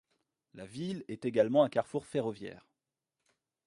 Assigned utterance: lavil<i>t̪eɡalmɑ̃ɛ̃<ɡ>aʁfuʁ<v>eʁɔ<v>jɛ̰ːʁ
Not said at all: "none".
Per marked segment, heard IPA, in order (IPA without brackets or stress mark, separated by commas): ɛ, k, f, v